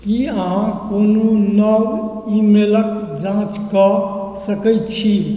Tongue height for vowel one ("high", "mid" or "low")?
high